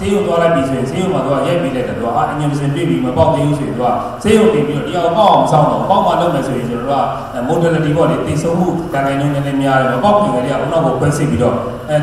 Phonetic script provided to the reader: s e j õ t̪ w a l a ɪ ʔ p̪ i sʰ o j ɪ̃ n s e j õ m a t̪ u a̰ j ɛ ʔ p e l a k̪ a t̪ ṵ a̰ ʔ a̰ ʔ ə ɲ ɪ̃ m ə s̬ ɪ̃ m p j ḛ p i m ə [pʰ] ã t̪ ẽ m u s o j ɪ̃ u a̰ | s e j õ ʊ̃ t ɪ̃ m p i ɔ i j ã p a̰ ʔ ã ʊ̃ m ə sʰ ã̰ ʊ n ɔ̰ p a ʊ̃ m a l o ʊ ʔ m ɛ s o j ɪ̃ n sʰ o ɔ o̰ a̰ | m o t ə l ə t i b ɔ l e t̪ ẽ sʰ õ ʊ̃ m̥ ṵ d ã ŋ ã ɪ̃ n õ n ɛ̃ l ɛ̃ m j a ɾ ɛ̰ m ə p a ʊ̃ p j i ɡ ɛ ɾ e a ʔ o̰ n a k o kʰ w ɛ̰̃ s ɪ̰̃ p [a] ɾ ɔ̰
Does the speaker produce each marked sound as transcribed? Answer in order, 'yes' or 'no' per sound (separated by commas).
no, no